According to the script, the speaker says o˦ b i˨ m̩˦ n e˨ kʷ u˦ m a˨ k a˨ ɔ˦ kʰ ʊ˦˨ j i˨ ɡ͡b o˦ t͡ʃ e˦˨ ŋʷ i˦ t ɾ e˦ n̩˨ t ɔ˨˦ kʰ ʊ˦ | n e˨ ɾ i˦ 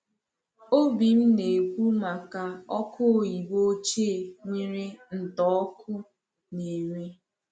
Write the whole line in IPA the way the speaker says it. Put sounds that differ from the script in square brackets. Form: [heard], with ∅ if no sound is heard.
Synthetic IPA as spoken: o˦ b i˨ m̩˦ n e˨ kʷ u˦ m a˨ k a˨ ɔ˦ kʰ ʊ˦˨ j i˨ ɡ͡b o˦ t͡ʃ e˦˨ ŋʷ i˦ [∅] ɾ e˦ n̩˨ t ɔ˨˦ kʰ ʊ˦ | n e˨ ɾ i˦